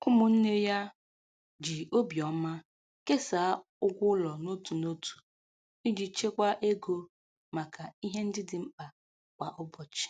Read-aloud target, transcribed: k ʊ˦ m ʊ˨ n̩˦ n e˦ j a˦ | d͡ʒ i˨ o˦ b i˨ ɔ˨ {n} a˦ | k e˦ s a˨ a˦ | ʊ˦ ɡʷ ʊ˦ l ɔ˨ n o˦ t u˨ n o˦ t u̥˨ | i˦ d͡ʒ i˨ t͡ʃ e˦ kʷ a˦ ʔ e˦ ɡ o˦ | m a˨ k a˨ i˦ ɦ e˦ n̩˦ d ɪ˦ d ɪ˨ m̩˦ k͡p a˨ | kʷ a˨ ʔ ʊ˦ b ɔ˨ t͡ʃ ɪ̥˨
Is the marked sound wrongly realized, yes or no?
yes